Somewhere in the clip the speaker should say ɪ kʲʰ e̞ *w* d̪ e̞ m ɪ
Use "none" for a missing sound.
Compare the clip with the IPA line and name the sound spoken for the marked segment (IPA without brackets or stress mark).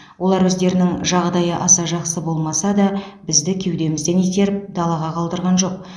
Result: w